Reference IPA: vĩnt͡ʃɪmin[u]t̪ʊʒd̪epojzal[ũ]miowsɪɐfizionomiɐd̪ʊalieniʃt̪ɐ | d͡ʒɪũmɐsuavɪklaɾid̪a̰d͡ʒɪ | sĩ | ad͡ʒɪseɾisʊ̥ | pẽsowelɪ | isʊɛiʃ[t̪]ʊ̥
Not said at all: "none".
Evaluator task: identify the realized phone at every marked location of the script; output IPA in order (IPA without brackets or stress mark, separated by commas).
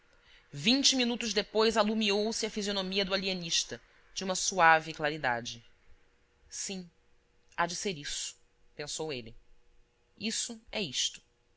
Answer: u, u, t̪